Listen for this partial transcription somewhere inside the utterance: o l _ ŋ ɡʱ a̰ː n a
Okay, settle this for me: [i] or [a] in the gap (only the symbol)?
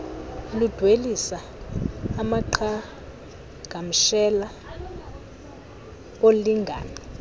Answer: i